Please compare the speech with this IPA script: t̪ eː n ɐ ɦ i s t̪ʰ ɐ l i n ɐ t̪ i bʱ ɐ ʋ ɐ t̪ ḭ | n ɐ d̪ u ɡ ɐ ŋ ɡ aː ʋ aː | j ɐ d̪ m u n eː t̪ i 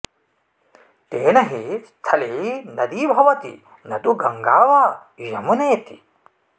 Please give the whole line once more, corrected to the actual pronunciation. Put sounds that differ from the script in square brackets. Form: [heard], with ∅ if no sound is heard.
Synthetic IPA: t̪ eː n ɐ ɦ i s t̪ʰ ɐ l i n ɐ [d̪] i bʱ ɐ ʋ ɐ t̪ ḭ | n ɐ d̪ u ɡ ɐ ŋ ɡ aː ʋ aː | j ɐ [∅] m u n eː t̪ i

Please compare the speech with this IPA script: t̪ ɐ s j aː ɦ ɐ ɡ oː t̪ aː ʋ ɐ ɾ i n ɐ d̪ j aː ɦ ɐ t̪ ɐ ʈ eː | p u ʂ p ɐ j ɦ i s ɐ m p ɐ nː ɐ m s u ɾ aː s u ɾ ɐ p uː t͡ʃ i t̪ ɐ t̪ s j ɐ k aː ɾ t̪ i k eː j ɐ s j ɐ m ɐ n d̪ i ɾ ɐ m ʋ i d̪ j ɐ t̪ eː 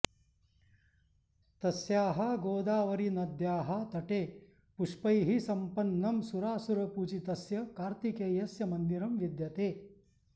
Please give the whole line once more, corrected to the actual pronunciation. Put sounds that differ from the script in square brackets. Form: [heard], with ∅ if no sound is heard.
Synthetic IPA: t̪ ɐ s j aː ɦ ɐ ɡ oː [d̪] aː ʋ ɐ ɾ i n ɐ d̪ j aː ɦ ɐ t̪ ɐ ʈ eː | p u ʂ p ɐ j ɦ i s ɐ m p ɐ nː ɐ m s u ɾ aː s u ɾ ɐ p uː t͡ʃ i t̪ ɐ [∅] s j ɐ k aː ɾ t̪ i k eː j ɐ s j ɐ m ɐ n d̪ i ɾ ɐ m ʋ i d̪ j ɐ t̪ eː

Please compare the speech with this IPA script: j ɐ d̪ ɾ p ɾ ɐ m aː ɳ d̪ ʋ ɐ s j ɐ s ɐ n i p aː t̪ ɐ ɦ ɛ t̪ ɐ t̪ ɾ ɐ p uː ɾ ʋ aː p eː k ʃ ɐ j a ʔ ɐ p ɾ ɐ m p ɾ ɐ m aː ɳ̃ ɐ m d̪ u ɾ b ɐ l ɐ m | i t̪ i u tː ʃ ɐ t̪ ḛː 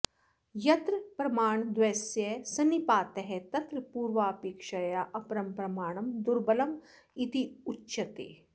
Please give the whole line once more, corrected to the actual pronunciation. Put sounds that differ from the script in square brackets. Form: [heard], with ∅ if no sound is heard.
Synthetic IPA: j ɐ [t̪] ɾ p ɾ ɐ m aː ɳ d̪ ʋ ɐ s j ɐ s ɐ n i p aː t̪ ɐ ɦ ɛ t̪ ɐ t̪ ɾ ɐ p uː ɾ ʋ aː p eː k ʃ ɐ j a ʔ ɐ p ɾ ɐ m p ɾ ɐ m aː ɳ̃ ɐ m d̪ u ɾ b ɐ l ɐ m | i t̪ i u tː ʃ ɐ t̪ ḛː

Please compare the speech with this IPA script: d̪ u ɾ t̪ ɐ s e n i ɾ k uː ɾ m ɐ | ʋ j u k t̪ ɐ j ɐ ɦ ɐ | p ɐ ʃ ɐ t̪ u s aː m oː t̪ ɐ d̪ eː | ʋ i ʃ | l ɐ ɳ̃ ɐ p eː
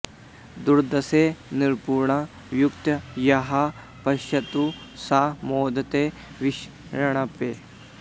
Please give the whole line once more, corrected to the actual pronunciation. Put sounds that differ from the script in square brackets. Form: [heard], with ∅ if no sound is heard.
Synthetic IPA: d̪ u ɾ [d̪] ɐ s e n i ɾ [p] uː ɾ [ɳ] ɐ | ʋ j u k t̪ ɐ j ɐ ɦ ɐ | p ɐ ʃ ɐ t̪ u s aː m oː [d̪] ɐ [t̪] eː | ʋ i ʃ | [ɾ] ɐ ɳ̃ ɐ p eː

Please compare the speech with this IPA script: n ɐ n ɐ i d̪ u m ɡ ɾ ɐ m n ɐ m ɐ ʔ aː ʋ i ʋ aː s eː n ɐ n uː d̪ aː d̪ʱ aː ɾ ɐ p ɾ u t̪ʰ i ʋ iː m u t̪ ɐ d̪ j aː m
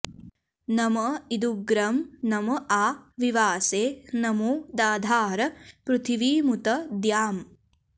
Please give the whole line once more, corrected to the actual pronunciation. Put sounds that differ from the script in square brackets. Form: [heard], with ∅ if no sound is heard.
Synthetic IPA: n ɐ [m] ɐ i d̪ u [∅] ɡ ɾ ɐ m n ɐ m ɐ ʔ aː ʋ i ʋ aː s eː n ɐ [m] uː d̪ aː d̪ʱ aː ɾ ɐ p ɾ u t̪ʰ i ʋ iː m u t̪ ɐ d̪ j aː m

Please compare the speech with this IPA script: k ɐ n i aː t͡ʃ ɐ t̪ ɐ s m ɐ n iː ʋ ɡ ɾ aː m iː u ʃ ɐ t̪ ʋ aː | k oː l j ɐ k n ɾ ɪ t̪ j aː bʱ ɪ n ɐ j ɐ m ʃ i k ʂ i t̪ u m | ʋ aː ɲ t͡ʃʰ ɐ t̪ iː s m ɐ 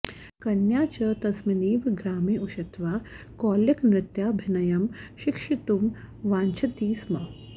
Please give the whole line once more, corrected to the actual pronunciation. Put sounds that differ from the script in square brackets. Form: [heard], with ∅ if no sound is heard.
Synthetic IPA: k ɐ n [j] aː t͡ʃ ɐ t̪ ɐ s m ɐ n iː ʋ ɡ ɾ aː m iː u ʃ ɐ t̪ ʋ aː | k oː l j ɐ k n ɾ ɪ t̪ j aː bʱ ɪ n ɐ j ɐ m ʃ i k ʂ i t̪ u m | ʋ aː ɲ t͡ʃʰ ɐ t̪ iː s m ɐ

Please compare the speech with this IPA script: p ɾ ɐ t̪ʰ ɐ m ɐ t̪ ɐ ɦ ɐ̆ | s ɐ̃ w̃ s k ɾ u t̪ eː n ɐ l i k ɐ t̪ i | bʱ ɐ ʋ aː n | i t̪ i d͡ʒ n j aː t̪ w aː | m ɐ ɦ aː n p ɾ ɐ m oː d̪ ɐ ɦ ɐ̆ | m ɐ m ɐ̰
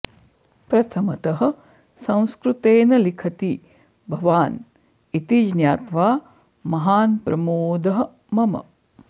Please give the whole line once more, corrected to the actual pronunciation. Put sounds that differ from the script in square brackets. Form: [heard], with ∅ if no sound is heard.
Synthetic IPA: p ɾ ɐ t̪ʰ ɐ m ɐ t̪ ɐ ɦ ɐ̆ | s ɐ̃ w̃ s k ɾ u t̪ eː n ɐ l i [kʰ] ɐ t̪ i | bʱ ɐ ʋ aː n | i t̪ i d͡ʒ n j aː t̪ [ʋ] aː | m ɐ ɦ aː n p ɾ ɐ m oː d̪ ɐ ɦ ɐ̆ | m ɐ m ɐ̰

